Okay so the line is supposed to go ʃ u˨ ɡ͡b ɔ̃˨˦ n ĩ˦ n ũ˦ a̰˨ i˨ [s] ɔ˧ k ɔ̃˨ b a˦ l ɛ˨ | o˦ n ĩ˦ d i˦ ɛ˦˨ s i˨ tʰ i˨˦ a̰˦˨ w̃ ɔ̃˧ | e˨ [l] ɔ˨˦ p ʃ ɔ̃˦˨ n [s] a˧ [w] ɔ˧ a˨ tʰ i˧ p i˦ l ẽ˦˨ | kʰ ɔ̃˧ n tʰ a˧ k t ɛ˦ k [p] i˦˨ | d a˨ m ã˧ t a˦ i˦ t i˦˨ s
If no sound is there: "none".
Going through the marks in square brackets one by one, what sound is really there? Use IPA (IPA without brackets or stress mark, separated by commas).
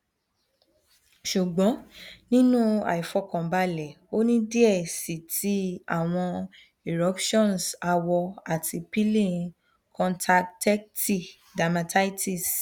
f, ɾ, s, w, t